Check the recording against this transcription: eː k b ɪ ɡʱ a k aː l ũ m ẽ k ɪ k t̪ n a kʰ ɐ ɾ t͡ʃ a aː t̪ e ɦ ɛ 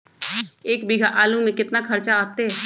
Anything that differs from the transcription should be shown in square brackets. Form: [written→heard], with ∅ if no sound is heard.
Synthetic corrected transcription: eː k b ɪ ɡʱ a [k→ʔ] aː l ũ m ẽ k ɪ [k→∅] t̪ n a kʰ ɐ ɾ t͡ʃ a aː t̪ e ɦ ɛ